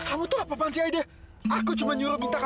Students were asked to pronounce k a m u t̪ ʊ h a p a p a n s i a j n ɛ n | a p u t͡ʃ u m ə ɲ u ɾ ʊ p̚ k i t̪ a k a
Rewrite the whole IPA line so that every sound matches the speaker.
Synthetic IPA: k a m u t̪ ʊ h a p a p a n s i a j d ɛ | a k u t͡ʃ u m a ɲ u ɾ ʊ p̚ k i t̪ a k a